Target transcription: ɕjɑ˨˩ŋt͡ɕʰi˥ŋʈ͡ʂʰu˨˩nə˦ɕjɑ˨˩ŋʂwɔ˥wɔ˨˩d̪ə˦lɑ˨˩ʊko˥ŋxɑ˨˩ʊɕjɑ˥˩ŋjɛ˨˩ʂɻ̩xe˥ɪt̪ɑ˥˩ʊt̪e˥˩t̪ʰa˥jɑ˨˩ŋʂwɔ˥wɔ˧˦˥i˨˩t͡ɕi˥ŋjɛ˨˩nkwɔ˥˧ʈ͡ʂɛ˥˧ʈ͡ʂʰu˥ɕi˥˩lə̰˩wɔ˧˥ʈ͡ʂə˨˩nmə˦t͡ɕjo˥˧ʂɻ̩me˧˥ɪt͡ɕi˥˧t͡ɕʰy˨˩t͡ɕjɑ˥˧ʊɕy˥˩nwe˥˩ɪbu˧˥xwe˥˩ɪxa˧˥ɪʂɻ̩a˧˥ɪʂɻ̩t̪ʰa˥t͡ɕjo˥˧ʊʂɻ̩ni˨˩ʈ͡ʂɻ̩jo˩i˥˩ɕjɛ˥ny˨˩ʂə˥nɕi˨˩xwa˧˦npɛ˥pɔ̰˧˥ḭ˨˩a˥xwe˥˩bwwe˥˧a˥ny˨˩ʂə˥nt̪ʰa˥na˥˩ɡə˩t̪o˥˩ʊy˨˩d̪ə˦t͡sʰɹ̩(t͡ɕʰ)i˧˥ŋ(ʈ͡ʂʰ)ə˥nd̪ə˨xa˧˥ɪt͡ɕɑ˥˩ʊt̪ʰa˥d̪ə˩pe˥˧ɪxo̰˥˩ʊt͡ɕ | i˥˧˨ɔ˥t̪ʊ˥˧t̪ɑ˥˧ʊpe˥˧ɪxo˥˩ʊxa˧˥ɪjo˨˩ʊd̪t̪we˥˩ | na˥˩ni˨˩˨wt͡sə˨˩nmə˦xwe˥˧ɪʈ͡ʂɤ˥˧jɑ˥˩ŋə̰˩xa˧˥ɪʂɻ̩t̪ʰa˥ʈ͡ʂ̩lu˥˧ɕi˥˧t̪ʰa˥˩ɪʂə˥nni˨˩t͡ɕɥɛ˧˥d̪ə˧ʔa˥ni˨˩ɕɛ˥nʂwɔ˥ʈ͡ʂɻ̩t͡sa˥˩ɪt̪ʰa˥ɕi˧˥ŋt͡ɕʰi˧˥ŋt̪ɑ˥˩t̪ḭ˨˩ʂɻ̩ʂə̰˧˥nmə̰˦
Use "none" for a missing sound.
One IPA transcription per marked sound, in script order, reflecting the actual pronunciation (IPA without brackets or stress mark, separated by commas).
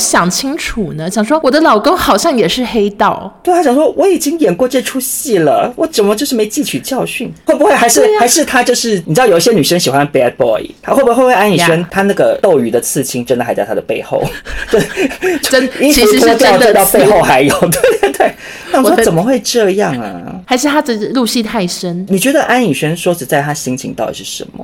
t͡ɕʰ, ʈ͡ʂ